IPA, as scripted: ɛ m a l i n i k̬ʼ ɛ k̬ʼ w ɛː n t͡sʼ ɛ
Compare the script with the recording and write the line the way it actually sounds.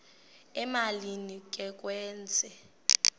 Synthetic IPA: ɛ m a l i n i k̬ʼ ɛ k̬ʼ w ɛː n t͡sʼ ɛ